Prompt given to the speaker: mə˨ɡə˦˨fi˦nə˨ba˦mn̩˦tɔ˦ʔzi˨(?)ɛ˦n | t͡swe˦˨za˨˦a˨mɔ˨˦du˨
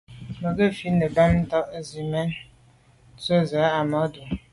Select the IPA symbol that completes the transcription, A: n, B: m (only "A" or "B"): B